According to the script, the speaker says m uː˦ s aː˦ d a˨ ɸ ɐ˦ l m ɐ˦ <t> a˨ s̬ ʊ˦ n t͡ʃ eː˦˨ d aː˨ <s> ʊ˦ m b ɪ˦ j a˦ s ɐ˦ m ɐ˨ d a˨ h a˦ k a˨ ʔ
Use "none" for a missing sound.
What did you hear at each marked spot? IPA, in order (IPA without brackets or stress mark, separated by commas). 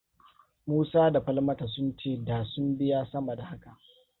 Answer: t, s